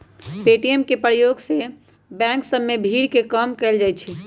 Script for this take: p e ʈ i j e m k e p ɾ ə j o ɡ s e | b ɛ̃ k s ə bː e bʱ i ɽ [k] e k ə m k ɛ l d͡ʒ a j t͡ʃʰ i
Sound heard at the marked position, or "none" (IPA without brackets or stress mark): k